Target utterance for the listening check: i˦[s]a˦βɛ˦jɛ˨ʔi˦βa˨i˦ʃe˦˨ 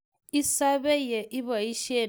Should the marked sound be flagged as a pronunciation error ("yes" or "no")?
no